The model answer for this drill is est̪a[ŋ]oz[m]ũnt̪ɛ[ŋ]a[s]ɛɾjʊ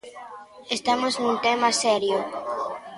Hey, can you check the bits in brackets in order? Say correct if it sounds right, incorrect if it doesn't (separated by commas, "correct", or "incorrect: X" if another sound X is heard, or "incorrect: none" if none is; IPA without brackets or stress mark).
incorrect: m, incorrect: n, incorrect: m, correct